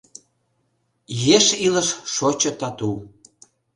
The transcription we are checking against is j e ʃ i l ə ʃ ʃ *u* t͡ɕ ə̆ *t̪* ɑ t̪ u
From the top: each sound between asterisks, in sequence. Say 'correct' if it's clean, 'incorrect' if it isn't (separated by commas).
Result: incorrect, correct